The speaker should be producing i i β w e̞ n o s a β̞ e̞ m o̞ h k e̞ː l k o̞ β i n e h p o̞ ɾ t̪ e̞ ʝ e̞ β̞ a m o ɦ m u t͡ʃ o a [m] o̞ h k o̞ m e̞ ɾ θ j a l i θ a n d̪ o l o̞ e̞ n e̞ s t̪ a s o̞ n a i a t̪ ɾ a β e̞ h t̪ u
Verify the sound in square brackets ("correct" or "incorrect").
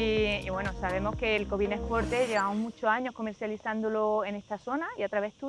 incorrect